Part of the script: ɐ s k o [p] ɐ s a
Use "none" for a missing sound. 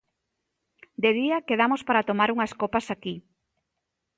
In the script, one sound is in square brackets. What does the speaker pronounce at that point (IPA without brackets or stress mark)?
p